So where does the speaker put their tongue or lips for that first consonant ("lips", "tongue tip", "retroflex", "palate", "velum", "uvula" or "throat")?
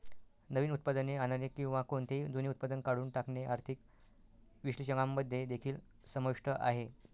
tongue tip